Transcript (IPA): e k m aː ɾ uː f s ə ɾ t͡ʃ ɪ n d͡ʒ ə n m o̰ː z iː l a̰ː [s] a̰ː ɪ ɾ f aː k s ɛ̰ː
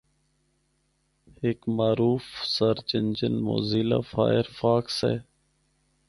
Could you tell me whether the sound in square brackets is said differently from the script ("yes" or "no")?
yes